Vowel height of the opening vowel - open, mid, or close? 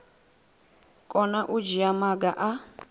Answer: mid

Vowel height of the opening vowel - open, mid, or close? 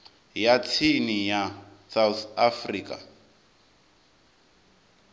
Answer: open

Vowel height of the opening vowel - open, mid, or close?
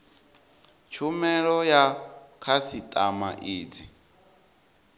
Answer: close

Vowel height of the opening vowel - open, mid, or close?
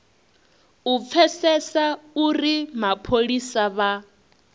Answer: close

